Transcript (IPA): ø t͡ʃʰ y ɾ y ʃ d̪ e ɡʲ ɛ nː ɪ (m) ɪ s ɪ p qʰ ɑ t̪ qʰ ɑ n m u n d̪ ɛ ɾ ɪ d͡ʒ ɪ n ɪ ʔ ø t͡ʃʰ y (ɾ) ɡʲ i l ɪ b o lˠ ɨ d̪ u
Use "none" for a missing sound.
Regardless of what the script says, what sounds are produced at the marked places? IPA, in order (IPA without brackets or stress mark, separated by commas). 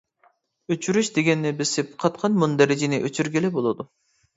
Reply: b, ɾ